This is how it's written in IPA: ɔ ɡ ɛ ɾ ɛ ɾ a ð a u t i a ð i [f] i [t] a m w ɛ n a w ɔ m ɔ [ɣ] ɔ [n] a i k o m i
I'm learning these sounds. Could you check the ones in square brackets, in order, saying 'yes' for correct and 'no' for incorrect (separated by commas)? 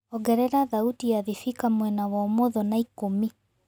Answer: yes, no, no, yes